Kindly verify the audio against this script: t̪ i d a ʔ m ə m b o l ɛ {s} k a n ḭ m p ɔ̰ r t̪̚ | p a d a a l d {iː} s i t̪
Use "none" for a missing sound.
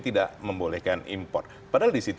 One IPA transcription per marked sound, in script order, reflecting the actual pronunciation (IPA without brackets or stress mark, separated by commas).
h, i